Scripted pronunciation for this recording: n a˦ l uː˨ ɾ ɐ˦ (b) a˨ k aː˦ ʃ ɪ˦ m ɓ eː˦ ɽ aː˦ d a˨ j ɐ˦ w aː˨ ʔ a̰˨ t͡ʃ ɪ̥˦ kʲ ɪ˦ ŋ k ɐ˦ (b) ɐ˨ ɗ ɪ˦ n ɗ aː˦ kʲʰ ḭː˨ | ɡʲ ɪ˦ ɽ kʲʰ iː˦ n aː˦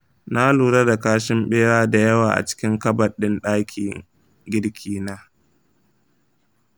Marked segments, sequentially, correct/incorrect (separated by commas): incorrect, correct